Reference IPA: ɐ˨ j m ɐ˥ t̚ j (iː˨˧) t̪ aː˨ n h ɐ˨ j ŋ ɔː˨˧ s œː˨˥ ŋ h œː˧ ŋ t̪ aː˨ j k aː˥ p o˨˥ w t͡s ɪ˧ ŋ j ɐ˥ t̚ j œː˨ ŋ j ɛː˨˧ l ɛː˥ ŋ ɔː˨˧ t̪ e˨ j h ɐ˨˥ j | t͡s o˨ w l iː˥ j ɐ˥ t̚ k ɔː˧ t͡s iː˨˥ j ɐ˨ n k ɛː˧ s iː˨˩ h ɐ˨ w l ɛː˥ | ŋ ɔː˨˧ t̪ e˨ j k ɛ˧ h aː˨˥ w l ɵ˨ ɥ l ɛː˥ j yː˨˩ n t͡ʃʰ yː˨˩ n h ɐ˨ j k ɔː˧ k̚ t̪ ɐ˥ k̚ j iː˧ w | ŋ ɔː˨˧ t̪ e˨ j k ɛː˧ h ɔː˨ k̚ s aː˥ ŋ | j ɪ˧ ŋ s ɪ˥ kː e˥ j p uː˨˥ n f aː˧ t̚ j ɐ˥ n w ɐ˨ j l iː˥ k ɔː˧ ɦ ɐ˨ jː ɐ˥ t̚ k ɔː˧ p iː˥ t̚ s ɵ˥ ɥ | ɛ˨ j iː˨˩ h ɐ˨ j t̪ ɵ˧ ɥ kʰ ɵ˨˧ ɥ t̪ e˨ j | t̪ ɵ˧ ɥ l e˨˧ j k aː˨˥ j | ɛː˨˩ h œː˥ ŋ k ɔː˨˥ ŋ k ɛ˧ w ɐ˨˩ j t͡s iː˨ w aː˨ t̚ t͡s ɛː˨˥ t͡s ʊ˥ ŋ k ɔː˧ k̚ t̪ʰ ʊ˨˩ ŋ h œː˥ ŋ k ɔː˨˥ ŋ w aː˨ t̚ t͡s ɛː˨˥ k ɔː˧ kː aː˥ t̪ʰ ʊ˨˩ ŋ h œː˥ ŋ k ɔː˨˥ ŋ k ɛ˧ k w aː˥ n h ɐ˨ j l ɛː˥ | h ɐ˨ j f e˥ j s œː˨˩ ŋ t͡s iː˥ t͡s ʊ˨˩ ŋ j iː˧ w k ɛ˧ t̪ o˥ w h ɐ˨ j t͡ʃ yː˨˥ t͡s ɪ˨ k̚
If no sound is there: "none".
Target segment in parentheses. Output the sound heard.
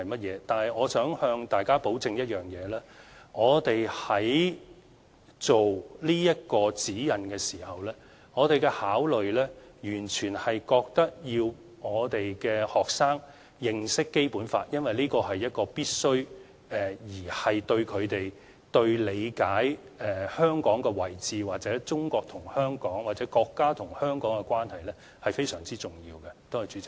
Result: ɛː˨˧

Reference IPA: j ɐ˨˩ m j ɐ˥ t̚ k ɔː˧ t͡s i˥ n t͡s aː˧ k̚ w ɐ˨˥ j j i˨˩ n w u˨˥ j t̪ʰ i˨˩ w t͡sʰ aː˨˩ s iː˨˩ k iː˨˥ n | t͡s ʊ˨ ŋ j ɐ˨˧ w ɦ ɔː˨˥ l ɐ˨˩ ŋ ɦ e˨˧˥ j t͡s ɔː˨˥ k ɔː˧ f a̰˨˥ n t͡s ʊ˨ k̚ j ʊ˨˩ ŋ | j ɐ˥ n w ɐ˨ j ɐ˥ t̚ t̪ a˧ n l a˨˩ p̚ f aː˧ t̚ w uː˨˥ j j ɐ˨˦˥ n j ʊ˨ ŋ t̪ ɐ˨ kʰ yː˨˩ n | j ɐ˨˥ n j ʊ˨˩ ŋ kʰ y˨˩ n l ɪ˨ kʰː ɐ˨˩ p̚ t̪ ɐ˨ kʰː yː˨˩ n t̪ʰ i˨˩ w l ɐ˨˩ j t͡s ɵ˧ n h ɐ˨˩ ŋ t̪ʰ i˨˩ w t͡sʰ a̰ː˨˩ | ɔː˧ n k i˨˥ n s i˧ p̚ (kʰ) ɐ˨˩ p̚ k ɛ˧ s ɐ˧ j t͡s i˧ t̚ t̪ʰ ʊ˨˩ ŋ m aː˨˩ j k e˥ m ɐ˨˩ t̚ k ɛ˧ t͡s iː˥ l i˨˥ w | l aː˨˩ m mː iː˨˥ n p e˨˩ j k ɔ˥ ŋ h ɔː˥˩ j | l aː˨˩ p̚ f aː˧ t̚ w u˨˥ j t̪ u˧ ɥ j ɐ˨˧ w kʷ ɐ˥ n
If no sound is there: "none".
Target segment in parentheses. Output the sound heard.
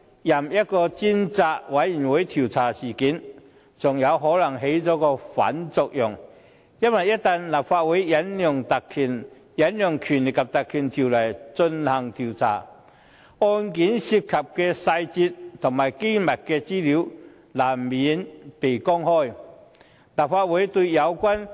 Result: kʰ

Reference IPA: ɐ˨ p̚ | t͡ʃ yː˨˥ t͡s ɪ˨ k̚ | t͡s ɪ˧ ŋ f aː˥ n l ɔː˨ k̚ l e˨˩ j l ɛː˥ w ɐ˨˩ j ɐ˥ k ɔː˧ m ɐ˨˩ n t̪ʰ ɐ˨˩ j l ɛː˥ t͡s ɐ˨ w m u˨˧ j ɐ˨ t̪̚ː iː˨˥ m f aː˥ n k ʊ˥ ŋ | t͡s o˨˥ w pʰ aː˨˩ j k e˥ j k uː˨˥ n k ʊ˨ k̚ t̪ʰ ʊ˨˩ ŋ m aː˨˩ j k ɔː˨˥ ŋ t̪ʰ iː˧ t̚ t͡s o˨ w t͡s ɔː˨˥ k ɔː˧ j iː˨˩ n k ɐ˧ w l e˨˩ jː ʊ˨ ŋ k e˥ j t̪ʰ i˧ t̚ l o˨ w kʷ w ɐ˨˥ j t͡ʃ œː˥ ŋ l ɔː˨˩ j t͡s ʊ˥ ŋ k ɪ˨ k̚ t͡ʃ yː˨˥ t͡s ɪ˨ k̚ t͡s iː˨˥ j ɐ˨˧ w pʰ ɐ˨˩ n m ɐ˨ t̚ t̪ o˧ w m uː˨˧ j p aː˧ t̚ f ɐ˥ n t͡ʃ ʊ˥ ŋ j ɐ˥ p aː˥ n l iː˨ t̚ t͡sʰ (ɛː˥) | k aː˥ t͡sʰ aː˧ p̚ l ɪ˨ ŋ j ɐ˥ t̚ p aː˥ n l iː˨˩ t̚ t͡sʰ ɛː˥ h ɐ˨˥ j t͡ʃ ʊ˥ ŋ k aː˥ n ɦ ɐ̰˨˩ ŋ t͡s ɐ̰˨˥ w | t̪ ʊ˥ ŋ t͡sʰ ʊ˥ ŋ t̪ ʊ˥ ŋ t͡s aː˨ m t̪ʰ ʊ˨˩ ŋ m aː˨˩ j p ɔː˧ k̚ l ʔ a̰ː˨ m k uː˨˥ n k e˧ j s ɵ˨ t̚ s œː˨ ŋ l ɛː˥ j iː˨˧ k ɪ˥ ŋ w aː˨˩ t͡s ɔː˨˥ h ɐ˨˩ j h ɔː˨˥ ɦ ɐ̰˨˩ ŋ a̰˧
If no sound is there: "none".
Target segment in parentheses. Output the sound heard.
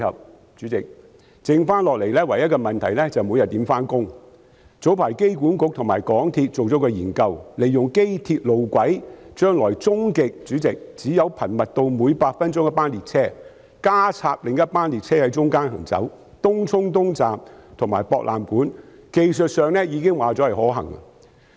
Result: ɛː˥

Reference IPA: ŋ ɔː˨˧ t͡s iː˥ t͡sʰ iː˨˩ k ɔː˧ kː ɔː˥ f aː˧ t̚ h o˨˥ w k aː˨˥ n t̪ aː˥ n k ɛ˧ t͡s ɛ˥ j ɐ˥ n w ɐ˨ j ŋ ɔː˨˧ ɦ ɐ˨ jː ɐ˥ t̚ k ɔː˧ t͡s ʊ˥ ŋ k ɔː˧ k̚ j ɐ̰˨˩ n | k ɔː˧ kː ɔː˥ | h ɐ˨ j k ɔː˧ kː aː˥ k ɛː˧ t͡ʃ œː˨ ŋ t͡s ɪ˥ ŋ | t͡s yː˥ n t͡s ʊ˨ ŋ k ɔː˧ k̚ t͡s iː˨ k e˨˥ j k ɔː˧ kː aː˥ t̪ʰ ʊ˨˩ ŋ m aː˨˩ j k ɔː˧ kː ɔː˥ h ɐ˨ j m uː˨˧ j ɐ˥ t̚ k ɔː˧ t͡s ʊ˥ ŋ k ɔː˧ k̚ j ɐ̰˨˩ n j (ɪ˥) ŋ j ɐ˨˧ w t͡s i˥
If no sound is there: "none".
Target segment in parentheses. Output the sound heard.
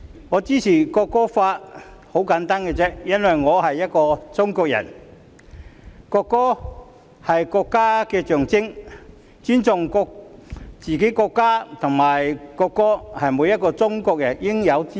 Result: ɪ˥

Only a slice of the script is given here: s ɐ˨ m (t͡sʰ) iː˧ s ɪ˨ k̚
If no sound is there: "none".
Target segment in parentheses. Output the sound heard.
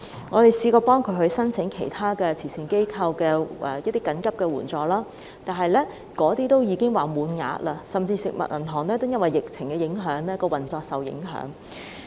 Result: t͡s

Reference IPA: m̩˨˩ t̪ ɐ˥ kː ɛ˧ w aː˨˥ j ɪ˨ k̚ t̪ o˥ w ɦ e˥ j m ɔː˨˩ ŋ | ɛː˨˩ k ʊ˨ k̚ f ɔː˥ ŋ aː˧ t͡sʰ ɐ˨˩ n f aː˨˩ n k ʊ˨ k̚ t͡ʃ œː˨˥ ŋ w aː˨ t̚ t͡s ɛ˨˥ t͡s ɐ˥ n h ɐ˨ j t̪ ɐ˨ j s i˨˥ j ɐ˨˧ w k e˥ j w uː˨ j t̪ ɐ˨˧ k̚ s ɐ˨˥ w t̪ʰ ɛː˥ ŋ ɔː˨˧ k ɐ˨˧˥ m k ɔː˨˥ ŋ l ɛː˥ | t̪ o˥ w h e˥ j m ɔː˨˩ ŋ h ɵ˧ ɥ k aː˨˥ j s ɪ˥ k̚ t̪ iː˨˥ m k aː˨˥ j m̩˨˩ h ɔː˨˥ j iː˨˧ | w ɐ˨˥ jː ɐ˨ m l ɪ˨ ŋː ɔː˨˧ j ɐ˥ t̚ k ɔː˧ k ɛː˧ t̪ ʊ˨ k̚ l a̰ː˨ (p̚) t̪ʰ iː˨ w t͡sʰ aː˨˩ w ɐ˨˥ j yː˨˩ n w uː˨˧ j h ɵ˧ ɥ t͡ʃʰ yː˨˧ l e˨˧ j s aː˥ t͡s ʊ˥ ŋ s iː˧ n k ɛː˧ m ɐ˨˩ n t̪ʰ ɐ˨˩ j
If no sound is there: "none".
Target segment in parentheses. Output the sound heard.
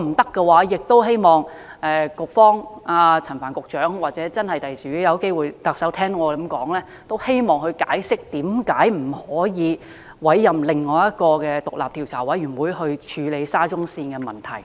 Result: p̚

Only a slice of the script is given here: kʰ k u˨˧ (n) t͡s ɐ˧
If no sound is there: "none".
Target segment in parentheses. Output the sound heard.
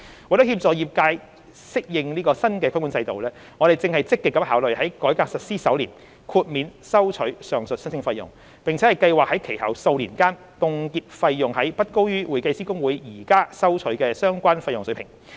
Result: n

